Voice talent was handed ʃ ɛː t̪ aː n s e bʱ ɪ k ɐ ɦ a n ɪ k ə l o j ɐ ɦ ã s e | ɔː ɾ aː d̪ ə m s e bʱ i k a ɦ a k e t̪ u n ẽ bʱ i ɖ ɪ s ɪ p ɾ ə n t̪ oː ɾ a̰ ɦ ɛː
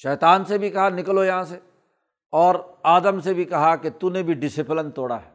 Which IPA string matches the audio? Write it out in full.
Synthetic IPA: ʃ ɛː t̪ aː n s e bʱ i k ɐ ɦ a n ɪ k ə l o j ɐ ɦ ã s e | ɔː ɾ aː d̪ ə m s e bʱ i k ɐ ɦ a k e t̪ u n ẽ bʱ i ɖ ɪ s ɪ p l ə n t̪ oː ɽ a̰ ɦ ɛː